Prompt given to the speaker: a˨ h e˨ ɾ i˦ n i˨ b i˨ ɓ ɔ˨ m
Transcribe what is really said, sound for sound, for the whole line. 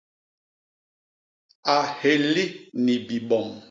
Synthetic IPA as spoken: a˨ h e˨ l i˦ n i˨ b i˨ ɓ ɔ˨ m